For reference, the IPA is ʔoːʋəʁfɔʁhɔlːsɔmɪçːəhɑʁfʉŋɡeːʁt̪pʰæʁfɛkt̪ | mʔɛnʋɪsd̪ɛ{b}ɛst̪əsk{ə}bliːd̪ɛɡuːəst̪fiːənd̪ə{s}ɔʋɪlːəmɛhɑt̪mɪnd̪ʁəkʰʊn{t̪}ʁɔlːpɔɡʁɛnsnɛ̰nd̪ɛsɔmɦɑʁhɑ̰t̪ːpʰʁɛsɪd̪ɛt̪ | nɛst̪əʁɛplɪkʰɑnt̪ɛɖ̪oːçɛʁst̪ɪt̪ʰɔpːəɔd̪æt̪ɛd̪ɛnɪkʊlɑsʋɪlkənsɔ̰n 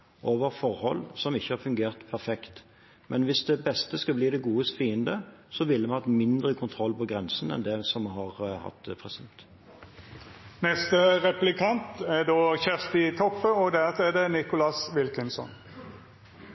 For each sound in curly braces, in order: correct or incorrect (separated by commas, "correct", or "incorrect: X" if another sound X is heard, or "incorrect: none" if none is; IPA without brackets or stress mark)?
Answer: correct, incorrect: ɑ, correct, incorrect: t̪ʰ